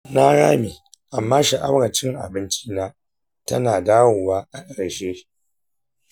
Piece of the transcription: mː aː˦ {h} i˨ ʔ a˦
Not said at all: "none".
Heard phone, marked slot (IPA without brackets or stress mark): ʃ